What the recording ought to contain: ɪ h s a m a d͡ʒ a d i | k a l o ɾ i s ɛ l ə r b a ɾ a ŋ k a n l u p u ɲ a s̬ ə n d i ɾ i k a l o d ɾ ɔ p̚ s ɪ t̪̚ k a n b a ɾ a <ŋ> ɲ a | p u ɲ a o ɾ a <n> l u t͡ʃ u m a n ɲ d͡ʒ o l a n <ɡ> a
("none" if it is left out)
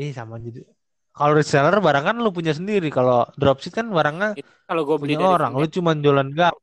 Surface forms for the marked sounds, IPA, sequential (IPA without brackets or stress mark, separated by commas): ŋ, ŋ, ɡ